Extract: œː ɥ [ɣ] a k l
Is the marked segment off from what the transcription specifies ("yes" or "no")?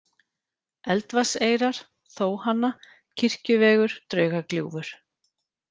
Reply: no